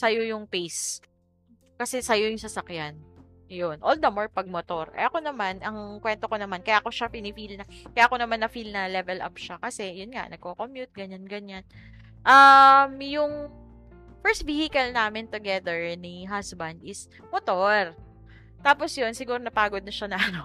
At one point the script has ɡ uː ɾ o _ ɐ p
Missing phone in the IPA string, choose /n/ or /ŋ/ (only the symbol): n